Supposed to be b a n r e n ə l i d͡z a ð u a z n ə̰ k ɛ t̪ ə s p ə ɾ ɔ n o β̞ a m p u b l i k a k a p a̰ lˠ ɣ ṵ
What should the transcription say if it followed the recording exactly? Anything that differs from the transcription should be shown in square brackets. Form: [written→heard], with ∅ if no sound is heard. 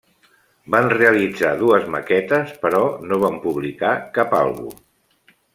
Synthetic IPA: b a n r e [n→∅] ə l i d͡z a ð u [a→ə] z [n→m] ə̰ k ɛ t̪ ə s p ə ɾ ɔ n o β̞ a m p u [b→β] l i k a k a p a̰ lˠ ɣ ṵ